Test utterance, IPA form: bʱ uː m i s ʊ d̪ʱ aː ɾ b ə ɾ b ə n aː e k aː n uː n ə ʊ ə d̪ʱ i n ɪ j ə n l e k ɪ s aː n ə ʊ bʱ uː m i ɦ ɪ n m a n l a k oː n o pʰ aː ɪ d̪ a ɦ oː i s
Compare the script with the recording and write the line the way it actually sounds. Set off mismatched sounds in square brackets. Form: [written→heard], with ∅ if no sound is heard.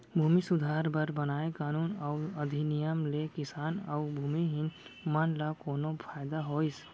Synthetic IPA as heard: bʱ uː m i s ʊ d̪ʱ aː ɾ b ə ɾ b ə n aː e k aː n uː n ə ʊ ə d̪ʱ i n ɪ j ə [n→m] l e k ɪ s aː n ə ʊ bʱ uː m i ɦ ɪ n m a n l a k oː n o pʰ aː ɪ d̪ a ɦ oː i s